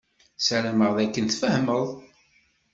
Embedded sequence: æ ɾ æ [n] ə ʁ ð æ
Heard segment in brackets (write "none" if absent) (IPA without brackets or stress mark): m